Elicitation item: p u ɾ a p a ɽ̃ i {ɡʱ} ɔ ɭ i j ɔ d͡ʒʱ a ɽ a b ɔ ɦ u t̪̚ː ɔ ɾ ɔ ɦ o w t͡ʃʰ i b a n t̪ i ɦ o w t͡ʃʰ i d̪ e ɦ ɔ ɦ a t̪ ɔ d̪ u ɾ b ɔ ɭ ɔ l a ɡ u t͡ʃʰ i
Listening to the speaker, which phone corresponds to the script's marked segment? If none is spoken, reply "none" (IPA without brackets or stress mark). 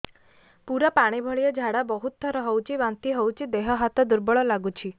bʱ